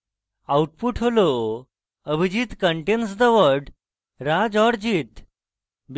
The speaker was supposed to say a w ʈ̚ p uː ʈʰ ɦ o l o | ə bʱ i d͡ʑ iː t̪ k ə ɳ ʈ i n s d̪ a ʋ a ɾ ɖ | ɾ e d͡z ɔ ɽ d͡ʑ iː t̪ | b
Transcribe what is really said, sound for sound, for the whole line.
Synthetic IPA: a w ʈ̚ p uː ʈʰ ɦ o l o | ə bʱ i d͡ʑ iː t̪ k ə ɳ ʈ e n s d̪ ə ʋ ə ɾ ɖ | ɾ a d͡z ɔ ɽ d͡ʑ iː t̪ | b